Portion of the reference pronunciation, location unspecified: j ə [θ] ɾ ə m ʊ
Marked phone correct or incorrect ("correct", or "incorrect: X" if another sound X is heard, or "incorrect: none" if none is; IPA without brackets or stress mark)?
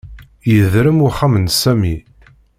incorrect: ð